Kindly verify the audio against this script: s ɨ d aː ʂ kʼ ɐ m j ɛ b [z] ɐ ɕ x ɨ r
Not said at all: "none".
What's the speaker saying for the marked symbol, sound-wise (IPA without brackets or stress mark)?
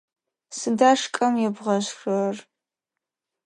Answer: ʁ